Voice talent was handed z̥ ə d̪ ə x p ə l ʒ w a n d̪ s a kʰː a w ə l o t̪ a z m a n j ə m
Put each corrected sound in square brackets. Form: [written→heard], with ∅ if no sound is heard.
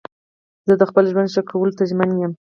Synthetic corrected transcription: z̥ ə d̪ ə x p ə l ʒ w a n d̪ [s→ʃ] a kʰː a w ə l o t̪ a [z→ʒ] m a n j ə m